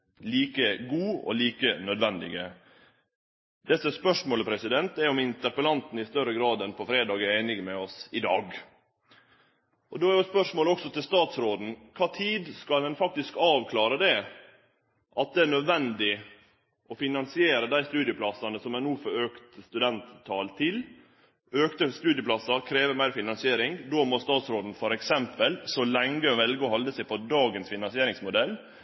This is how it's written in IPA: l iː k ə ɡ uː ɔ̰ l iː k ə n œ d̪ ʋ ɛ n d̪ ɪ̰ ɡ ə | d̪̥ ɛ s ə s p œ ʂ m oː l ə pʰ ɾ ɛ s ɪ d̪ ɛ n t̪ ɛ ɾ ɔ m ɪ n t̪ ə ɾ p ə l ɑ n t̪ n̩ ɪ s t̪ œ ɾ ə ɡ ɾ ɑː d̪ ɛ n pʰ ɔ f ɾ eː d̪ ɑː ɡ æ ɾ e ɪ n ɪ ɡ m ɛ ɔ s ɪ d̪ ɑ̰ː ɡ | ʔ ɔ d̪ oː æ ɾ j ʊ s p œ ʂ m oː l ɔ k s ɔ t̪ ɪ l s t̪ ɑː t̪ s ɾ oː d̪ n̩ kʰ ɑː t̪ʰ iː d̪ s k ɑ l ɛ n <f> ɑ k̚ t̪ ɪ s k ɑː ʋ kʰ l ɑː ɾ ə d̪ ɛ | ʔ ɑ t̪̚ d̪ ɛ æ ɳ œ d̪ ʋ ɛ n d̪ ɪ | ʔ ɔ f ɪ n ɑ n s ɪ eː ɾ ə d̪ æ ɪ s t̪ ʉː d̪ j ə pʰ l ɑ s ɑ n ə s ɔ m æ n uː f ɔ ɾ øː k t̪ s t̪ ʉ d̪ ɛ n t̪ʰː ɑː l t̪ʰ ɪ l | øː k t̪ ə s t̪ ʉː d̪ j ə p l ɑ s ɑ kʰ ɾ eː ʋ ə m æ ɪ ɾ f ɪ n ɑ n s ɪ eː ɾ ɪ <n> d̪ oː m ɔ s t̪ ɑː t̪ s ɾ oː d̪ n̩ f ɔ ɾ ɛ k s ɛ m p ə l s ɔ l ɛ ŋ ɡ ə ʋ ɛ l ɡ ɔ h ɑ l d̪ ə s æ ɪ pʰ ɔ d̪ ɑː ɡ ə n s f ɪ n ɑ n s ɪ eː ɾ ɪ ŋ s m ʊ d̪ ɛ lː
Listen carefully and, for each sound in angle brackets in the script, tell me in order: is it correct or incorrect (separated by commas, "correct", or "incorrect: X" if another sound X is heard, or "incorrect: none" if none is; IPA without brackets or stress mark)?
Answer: correct, incorrect: ŋ